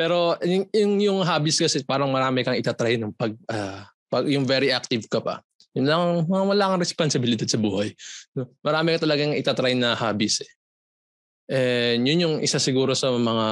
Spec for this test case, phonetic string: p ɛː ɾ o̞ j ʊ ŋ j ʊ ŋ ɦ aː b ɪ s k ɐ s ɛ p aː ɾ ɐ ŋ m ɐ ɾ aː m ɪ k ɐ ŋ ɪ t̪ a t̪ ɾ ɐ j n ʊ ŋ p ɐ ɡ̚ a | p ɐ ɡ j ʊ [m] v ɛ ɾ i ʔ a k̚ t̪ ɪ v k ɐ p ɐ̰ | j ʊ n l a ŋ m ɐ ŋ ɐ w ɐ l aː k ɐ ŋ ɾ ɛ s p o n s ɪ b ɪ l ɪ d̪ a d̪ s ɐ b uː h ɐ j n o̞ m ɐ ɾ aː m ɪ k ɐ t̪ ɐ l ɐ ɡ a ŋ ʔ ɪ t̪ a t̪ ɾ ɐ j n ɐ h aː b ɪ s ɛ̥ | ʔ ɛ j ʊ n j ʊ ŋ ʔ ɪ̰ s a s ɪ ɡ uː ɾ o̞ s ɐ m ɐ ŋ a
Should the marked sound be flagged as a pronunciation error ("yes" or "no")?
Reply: yes